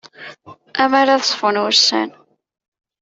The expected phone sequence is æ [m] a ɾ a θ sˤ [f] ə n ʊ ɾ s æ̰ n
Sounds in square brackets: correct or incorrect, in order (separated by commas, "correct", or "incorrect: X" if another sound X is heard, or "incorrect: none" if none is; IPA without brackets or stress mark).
correct, correct